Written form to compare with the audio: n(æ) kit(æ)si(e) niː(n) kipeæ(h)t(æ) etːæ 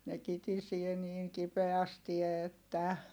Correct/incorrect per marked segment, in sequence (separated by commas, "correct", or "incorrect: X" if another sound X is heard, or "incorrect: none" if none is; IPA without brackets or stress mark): incorrect: e, incorrect: i, correct, incorrect: ŋ, incorrect: s, incorrect: i